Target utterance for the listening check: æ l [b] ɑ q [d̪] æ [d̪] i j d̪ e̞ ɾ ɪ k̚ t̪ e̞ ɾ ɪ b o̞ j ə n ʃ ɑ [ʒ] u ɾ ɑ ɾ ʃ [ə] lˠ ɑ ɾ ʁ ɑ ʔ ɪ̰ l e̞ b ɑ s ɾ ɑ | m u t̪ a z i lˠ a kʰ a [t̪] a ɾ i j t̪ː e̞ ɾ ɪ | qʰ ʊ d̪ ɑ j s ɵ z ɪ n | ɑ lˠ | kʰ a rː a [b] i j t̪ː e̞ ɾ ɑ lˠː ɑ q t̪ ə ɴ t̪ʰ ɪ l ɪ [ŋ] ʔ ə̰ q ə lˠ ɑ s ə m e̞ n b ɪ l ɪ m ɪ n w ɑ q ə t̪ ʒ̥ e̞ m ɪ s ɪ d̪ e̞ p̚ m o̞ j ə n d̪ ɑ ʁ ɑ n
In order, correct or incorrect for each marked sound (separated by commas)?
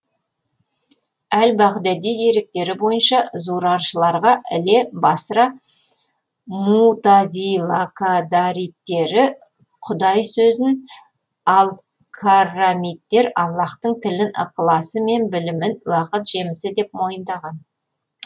correct, correct, correct, incorrect, correct, incorrect, incorrect, incorrect